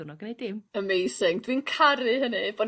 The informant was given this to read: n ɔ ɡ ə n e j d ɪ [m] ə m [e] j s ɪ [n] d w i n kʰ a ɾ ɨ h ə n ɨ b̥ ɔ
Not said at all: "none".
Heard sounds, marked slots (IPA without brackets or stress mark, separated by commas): m, e, ŋ